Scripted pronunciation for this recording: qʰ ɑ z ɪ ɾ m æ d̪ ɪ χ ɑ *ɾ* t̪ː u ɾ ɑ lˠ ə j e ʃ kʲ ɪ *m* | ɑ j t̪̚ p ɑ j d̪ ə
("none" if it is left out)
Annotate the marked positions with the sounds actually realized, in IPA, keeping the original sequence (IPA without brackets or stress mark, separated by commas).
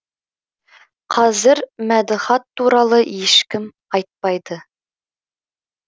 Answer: none, m